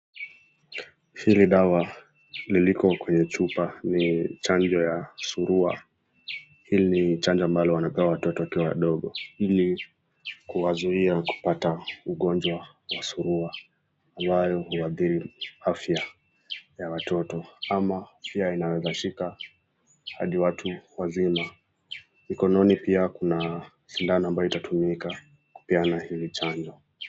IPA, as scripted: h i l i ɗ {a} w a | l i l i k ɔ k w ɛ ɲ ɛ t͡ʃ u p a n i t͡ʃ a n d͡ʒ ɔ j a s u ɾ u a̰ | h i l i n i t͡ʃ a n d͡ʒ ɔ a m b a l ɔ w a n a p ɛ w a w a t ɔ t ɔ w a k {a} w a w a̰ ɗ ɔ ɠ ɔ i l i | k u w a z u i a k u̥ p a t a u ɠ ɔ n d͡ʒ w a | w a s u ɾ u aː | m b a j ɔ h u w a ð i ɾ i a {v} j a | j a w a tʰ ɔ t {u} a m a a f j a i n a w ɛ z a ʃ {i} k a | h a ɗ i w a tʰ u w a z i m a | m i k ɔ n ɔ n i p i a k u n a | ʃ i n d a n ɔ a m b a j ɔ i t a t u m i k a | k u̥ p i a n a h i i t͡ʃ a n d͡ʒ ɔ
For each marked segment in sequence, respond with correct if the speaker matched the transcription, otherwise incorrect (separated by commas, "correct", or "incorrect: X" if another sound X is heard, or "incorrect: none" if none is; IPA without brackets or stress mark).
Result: correct, incorrect: i, incorrect: f, incorrect: ɔ, correct